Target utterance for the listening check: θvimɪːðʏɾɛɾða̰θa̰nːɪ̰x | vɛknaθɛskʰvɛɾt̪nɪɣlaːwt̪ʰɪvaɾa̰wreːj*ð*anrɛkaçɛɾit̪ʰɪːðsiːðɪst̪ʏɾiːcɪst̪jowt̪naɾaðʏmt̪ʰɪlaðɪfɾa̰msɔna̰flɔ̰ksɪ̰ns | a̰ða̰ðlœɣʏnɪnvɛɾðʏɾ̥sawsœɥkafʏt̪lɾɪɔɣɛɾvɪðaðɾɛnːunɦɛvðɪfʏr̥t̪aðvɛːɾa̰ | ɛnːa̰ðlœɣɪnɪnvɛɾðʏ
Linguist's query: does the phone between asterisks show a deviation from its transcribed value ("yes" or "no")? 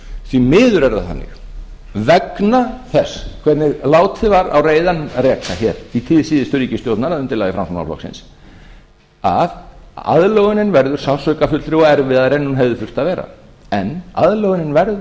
no